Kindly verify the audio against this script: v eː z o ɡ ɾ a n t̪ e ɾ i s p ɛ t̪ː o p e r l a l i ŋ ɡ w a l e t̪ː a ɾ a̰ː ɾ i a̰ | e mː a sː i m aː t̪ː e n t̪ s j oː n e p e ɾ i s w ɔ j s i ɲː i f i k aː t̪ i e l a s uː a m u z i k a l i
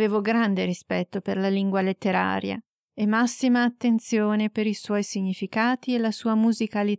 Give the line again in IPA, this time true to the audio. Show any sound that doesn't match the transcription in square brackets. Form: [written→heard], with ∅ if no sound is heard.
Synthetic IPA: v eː [z→v] o ɡ ɾ a n [t̪→d̪] e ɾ i s p ɛ t̪ː o p e r l a l i ŋ ɡ w a l e t̪ː [a→e] ɾ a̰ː ɾ [i→j] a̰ | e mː a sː i m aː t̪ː e n t̪ s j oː n e p e ɾ i s w ɔ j s i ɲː i f i k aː t̪ i e l a s uː a m u z i k a l i